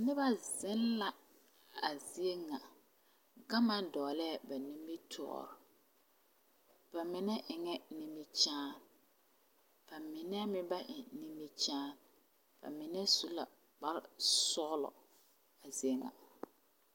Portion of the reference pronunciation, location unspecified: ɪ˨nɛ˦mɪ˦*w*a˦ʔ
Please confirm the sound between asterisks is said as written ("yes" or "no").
no